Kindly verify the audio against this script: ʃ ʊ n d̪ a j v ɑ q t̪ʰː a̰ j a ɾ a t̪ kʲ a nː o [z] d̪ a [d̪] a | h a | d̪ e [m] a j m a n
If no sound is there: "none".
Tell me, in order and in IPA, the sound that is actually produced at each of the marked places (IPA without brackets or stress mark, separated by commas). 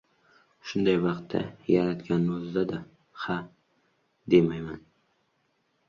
z, d̪, m